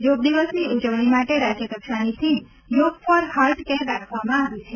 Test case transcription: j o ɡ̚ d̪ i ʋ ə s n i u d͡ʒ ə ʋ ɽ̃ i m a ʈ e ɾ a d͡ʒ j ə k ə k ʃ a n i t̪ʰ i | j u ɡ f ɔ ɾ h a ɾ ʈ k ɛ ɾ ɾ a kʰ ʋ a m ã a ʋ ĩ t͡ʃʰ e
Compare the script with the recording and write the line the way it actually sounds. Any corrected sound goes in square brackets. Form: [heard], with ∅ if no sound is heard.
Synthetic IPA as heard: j o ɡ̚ d̪ i ʋ ə s n i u d͡ʒ ə ʋ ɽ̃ i m a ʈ e ɾ a d͡ʒ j ə k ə k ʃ a n i t̪ʰ i | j [o] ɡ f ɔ ɾ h a ɾ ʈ k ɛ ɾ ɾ a kʰ ʋ a m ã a ʋ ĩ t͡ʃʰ e